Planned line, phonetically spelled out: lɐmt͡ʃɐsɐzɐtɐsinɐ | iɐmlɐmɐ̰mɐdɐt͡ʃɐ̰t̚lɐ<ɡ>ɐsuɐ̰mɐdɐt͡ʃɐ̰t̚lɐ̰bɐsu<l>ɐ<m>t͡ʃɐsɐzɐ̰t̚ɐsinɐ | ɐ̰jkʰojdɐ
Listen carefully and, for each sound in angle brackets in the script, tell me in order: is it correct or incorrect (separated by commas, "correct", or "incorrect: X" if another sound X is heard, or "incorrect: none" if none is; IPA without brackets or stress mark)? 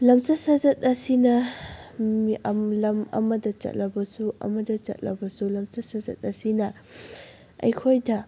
incorrect: b, correct, correct